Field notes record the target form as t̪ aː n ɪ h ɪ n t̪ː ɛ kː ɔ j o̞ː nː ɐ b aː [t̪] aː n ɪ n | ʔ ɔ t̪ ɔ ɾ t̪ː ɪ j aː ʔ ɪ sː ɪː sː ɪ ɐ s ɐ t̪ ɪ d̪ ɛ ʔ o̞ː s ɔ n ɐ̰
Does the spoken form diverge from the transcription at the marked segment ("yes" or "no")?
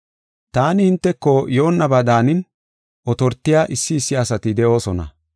yes